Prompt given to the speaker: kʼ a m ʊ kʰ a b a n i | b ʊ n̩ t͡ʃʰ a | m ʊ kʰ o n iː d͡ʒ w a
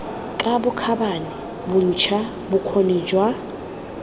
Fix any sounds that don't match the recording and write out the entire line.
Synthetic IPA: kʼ a b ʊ kʰ a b a n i | b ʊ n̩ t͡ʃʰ a | b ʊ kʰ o n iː d͡ʒ w a